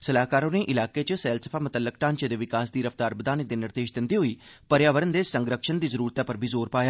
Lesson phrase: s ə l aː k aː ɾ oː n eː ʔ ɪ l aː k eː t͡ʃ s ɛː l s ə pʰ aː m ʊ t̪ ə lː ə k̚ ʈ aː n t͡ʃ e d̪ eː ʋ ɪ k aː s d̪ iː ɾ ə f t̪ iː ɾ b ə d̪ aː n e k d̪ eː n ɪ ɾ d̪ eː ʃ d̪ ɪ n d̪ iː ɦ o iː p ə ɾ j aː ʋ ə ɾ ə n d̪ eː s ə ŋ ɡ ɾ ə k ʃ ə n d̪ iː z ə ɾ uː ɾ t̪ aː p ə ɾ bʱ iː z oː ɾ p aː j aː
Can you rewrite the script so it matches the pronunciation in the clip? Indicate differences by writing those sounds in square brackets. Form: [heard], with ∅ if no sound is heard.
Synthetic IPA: s ə l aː k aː ɾ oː n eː ʔ ɪ l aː k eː t͡ʃ s ɛː l s ə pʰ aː m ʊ t̪ ə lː ə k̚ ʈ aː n t͡ʃ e d̪ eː ʋ ɪ k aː s d̪ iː ɾ ə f t̪ [aː] ɾ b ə d̪ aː n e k d̪ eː n ɪ ɾ d̪ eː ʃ d̪ ɪ n d̪ iː ɦ o iː p ə ɾ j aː ʋ ə ɾ ə n d̪ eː s ə ŋ ɡ ɾ ə k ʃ ə n d̪ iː z ə ɾ uː ɾ t̪ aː p ə ɾ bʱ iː z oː ɾ p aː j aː

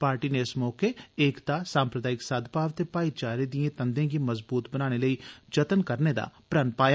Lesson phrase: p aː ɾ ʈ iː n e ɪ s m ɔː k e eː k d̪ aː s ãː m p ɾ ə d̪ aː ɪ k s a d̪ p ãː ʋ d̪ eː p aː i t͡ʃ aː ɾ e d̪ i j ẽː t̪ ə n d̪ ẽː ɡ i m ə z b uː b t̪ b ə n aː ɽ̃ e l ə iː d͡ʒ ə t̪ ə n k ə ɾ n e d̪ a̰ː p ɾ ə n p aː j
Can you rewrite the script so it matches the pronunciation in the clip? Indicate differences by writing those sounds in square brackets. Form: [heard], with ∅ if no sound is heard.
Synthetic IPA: p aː ɾ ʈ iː n e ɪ s m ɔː k e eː k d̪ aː s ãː m p ɾ ə d̪ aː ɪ k s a d̪ p [aː] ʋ [t̪] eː p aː i t͡ʃ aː ɾ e d̪ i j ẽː t̪ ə n d̪ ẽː ɡ i m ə z b uː [∅] t̪ b ə n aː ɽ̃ e l ə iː d͡ʒ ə t̪ ə n k ə ɾ n e d̪ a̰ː p ɾ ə n p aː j

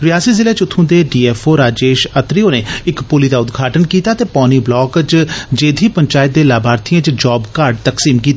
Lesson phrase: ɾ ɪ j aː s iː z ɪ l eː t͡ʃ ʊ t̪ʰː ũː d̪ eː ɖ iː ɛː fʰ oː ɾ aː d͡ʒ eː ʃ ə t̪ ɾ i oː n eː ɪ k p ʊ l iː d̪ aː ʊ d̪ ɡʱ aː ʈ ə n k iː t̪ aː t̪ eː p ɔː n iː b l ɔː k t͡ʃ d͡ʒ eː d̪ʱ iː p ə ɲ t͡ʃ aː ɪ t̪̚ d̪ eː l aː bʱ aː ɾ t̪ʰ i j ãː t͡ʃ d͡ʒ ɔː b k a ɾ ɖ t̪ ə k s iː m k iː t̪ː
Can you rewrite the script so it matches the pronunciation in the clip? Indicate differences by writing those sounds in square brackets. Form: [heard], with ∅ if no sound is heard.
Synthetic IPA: ɾ ɪ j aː s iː z ɪ l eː t͡ʃ ʊ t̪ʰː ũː d̪ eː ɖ iː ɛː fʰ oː ɾ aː d͡ʒ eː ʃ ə t̪ ɾ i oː n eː ɪ k p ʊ l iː d̪ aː ʊ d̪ ɡʱ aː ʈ ə n k iː t̪ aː t̪ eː p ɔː n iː b l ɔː k t͡ʃ d͡ʒ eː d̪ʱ iː p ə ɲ t͡ʃ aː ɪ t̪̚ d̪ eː l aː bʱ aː ɾ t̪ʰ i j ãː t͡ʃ d͡ʒ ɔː b k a ɾ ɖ t̪ ə k s iː m k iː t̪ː

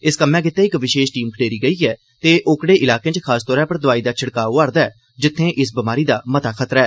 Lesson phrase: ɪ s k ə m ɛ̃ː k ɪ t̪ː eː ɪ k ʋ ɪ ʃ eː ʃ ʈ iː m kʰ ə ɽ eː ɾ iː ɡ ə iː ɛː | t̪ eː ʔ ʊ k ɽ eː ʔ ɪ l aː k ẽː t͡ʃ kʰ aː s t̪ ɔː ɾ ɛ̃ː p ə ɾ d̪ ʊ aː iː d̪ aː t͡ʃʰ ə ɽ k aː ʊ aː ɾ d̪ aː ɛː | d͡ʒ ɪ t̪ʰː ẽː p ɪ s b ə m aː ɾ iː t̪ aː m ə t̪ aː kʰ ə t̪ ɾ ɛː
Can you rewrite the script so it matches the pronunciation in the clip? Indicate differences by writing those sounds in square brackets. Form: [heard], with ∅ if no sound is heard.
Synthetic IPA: ɪ s k ə m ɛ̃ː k ɪ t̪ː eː ɪ k ʋ ɪ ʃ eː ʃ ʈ iː m kʰ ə ɽ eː ɾ iː ɡ ə iː ɛː | t̪ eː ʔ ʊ k ɽ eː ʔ ɪ l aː k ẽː t͡ʃ kʰ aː s t̪ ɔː ɾ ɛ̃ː p ə ɾ d̪ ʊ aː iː d̪ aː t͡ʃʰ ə ɽ k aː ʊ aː ɾ d̪ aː ɛː | d͡ʒ ɪ t̪ʰː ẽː [ʔ] ɪ s b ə m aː ɾ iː [d̪] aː m ə t̪ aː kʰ ə t̪ ɾ ɛː

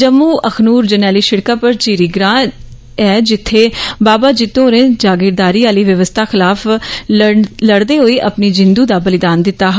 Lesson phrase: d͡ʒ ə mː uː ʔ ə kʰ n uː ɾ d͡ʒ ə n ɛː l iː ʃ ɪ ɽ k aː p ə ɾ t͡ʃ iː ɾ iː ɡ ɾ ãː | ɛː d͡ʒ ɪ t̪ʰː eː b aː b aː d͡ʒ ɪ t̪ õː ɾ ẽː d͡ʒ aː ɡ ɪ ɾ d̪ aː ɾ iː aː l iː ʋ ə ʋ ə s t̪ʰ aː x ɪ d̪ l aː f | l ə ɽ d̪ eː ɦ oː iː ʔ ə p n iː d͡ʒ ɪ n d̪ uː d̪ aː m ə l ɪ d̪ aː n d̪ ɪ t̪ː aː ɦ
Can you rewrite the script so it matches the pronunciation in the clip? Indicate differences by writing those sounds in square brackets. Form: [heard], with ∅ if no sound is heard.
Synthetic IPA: d͡ʒ ə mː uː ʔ ə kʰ n uː ɾ d͡ʒ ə n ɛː l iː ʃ ɪ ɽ k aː p ə ɾ t͡ʃ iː ɾ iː ɡ ɾ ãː | ɛː d͡ʒ ɪ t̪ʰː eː b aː b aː d͡ʒ ɪ t̪ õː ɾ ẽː d͡ʒ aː ɡ ɪ ɾ d̪ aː ɾ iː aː l iː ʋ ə ʋ ə s t̪ʰ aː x ɪ [∅] l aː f | l ə ɽ d̪ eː ɦ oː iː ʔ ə p n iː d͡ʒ ɪ n d̪ uː d̪ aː [b] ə l ɪ d̪ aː n d̪ ɪ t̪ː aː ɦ

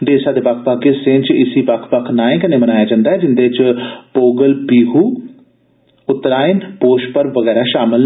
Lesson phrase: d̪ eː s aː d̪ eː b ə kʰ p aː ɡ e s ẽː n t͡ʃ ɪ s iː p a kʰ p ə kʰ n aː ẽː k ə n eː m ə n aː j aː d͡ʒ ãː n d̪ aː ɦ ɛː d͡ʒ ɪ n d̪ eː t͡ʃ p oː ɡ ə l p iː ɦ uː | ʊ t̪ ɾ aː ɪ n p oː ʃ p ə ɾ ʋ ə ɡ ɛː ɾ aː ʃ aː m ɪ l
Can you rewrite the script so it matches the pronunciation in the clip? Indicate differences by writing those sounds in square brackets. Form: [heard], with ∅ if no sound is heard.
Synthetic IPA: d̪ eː s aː d̪ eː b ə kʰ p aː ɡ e s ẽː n t͡ʃ ɪ s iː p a kʰ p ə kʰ n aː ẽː k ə n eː m ə n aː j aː d͡ʒ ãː n d̪ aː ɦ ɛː d͡ʒ ɪ n d̪ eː t͡ʃ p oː ɡ ə l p iː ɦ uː | ʊ t̪ ɾ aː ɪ n p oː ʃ p ə ɾ ʋ ə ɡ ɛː ɾ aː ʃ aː m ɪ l

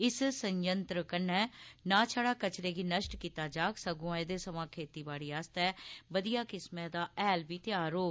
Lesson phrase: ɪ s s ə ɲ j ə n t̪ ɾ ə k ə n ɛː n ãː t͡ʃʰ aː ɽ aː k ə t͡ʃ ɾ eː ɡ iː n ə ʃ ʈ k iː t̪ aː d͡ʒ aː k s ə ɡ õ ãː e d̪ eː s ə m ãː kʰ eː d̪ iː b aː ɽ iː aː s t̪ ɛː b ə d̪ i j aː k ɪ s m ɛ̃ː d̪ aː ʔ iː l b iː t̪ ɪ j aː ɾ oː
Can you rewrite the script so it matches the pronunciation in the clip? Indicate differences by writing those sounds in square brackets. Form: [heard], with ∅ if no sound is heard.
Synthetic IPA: ɪ s s ə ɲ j ə n t̪ ɾ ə k ə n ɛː n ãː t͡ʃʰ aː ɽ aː k ə t͡ʃ ɾ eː ɡ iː n ə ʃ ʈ k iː t̪ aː d͡ʒ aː k s ə ɡ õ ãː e d̪ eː s ə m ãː kʰ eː [t̪] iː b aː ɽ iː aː s t̪ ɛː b ə d̪ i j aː k ɪ s m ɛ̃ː d̪ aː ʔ [ɛː] l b iː t̪ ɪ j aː ɾ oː

